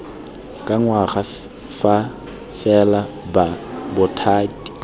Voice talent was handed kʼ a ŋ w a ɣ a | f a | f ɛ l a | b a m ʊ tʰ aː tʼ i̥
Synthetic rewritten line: kʼ a ŋ w a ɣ a | f a | f ɛ l a | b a b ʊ tʰ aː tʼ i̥